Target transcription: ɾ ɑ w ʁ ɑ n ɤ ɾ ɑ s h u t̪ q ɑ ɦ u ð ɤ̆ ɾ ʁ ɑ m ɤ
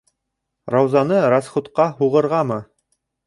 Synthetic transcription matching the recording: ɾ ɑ w z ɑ n ɤ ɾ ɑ s χ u t̪ q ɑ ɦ u ʁ ɤ̆ ɾ ʁ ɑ m ɤ